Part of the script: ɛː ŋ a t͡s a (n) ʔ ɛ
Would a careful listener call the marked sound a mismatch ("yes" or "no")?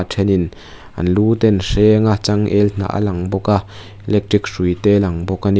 yes